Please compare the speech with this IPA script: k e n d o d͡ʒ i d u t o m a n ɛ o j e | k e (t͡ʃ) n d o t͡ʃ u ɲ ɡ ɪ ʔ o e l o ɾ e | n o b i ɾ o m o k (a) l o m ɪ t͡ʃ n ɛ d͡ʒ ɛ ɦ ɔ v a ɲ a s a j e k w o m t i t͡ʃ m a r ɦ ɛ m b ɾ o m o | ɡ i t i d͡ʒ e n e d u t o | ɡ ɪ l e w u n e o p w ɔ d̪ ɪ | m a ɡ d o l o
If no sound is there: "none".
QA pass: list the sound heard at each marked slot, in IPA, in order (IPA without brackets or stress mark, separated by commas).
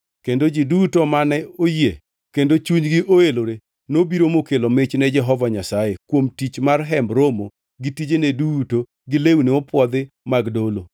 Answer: none, e